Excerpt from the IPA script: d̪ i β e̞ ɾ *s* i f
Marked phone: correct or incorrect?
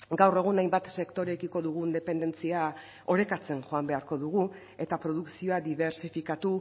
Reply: correct